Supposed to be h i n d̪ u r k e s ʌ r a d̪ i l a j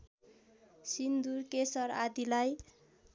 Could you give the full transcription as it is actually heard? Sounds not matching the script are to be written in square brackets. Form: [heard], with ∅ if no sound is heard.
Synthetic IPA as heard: [s] i n d̪ u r k e s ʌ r a d̪ i l a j

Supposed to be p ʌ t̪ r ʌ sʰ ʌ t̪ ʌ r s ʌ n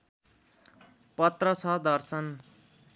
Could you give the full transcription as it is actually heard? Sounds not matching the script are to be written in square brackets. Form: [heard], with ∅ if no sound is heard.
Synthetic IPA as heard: p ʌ t̪ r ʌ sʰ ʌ [d̪] ʌ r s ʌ n

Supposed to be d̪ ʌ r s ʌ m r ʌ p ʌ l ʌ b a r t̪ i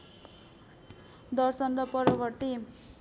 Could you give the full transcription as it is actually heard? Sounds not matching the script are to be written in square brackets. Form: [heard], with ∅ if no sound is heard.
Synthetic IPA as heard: d̪ ʌ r s ʌ [n] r ʌ p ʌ [ɾ] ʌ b [ʌ] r t̪ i

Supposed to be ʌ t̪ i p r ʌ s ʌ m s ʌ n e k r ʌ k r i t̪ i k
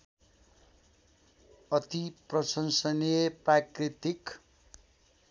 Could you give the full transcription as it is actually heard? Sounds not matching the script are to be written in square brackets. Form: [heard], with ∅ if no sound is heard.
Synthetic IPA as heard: ʌ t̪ i p r ʌ s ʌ [n] s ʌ n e [p] r [a] k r i t̪ i k

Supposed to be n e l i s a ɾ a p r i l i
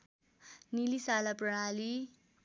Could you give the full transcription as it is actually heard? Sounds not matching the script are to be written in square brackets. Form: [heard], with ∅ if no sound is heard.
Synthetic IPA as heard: n [i] l i s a [l] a p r [a] l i

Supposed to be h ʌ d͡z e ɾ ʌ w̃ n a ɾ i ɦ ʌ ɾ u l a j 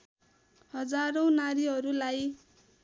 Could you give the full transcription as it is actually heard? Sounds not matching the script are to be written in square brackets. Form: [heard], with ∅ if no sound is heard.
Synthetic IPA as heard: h ʌ d͡z [a] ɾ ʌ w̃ n a ɾ i ɦ ʌ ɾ u l a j

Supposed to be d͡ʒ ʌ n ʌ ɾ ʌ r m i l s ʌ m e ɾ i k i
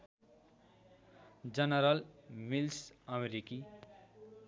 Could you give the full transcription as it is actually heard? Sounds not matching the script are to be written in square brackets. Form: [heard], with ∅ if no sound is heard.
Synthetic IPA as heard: d͡ʒ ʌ n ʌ ɾ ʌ [l] m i l s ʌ m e ɾ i k i

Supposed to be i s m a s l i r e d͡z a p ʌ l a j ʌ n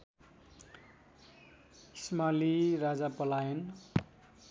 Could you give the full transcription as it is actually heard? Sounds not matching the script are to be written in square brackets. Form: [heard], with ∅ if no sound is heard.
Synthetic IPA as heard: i s m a [∅] l i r [a] d͡z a p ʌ l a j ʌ n

